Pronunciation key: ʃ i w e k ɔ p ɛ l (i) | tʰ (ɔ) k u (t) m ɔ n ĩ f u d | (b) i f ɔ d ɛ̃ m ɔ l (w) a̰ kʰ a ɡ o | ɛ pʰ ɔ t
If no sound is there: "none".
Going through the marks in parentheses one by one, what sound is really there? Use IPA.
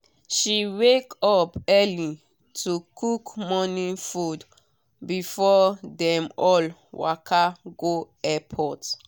i, u, k, b, w

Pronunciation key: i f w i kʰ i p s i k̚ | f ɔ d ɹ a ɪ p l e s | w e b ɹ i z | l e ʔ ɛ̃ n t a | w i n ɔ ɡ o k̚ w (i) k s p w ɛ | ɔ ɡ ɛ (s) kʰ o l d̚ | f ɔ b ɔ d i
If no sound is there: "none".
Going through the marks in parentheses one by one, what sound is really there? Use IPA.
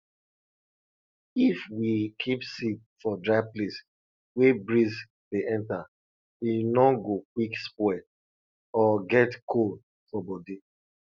i, t

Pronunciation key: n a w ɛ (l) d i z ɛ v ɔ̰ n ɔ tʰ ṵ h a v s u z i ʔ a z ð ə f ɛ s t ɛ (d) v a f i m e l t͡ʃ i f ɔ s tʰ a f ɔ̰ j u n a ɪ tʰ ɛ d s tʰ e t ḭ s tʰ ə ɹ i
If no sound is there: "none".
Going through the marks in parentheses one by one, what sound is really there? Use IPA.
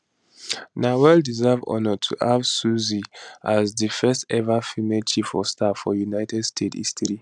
l, none

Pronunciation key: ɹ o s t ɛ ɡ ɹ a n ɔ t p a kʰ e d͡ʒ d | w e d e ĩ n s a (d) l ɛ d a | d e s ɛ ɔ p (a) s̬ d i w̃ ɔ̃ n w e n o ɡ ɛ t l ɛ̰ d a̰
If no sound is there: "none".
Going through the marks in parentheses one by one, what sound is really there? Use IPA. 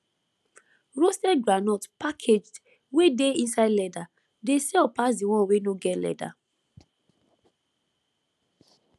d, a

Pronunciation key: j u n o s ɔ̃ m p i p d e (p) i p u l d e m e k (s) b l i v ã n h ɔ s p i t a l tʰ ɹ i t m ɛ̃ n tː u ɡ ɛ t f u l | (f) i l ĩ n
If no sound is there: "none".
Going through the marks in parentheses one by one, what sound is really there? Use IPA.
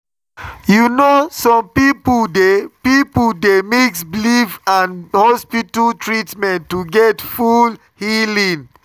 p, s, h

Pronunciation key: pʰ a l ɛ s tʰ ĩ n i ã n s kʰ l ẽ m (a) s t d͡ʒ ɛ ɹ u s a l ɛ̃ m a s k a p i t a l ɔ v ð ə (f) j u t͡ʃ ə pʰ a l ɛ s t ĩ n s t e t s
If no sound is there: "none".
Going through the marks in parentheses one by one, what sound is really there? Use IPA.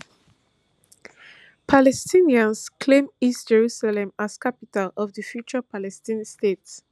i, f

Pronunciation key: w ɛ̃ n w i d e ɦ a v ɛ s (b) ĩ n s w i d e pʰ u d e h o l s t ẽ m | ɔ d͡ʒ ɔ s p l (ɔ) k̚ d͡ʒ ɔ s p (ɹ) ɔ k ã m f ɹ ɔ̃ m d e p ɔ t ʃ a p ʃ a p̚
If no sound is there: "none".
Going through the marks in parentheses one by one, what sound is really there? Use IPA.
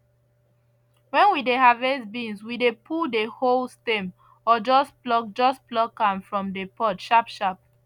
b, ɔ, l

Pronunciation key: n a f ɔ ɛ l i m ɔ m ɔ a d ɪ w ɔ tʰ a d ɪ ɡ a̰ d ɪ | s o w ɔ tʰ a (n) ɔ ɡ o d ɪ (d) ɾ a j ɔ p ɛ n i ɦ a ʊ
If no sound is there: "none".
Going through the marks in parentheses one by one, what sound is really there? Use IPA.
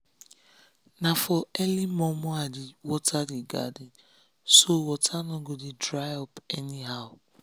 n, d

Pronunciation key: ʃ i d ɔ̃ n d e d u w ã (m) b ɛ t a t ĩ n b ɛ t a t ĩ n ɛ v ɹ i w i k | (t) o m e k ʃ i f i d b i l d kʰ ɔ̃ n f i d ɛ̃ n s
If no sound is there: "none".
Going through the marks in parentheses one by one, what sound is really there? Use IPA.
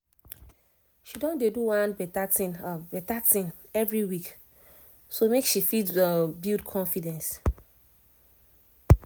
n, s

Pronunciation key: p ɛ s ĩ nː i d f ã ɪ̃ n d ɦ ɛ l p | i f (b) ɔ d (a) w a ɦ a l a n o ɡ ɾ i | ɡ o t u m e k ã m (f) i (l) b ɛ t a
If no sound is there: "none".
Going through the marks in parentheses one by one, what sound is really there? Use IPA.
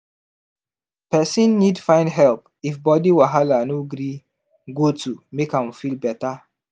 b, i, f, l

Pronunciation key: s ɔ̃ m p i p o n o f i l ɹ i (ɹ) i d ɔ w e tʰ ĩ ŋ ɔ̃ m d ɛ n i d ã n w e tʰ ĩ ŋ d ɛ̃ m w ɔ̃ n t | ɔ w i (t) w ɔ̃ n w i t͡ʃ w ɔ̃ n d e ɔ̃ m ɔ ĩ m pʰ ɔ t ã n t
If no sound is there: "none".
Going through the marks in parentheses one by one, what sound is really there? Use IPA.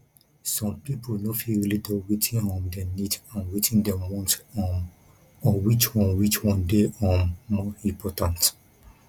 l, t͡ʃ

